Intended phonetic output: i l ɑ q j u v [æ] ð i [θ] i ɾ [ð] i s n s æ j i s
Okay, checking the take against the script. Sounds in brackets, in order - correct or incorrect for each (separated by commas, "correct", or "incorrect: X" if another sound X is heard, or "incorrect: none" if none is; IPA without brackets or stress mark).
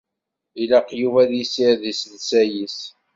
correct, incorrect: s, correct